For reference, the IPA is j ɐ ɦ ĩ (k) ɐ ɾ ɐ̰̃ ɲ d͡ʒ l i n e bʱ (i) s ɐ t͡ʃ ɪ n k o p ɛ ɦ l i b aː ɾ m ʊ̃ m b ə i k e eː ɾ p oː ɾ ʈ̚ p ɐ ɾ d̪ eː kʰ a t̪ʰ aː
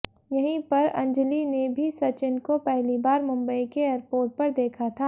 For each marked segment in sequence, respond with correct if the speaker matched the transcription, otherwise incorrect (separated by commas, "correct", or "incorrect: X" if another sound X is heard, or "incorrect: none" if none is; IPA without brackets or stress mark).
incorrect: p, correct